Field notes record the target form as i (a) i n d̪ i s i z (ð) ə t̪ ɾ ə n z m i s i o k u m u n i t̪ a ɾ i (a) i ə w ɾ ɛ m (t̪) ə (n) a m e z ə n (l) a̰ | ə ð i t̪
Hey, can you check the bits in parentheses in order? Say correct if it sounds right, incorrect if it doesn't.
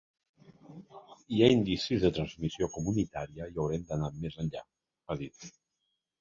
correct, correct, incorrect, incorrect, correct, incorrect

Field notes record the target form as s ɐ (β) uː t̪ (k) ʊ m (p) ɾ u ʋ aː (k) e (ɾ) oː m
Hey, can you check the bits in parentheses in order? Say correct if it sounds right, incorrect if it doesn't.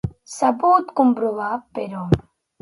incorrect, correct, incorrect, incorrect, correct

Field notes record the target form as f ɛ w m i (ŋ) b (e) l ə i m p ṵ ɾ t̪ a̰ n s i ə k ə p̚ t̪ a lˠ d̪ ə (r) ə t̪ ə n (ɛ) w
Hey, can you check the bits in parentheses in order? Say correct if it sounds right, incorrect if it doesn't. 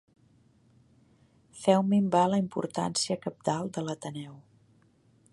incorrect, incorrect, incorrect, correct

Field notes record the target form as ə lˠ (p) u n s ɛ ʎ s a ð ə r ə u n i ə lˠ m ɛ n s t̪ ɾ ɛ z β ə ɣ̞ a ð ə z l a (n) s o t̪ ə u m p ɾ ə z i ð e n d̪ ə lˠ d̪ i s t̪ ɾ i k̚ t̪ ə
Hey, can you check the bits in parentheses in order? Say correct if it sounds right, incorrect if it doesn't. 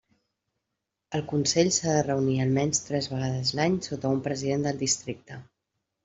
incorrect, incorrect

